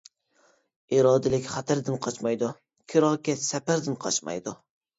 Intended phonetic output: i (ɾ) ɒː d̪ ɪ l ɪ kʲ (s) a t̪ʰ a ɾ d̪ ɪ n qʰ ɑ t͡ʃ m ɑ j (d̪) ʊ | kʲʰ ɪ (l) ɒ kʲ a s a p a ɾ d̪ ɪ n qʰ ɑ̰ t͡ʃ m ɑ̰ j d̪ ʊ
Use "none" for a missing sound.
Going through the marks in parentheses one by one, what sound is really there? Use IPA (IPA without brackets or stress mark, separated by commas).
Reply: ɾ, χ, d̪, ɾ